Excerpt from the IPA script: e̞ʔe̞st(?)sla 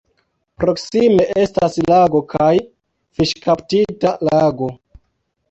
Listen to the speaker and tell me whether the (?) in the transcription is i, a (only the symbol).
a